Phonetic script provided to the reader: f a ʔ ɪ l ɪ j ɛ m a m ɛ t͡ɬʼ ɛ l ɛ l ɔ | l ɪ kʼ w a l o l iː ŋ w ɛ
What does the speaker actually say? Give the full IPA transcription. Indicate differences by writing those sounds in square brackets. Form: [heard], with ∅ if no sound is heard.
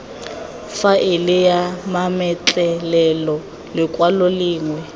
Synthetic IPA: f a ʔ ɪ l ɪ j [a] m a m ɛ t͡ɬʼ ɛ l ɛ l ɔ | l ɪ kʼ w a l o l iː ŋ w ɛ